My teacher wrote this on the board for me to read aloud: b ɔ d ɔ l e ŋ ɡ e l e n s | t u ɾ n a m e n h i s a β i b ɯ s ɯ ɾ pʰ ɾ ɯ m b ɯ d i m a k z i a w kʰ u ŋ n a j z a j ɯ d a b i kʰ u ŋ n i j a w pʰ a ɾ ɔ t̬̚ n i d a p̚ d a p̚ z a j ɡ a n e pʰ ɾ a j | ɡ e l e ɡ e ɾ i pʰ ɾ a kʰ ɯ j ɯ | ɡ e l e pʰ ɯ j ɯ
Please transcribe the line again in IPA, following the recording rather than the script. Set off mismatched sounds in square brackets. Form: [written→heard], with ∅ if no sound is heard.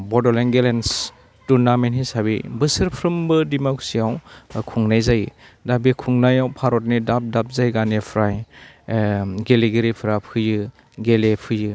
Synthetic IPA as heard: b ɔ d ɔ l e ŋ ɡ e l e n s | t u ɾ n a m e n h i s a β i b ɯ s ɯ ɾ pʰ ɾ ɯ m b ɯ d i m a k [z→s] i a w kʰ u ŋ n a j z a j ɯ d a b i kʰ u ŋ n [i→a] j a w pʰ a ɾ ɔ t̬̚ n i d a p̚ d a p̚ z a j ɡ a n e pʰ ɾ a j | ɡ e l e ɡ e ɾ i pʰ ɾ a [kʰ→pʰ] ɯ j ɯ | ɡ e l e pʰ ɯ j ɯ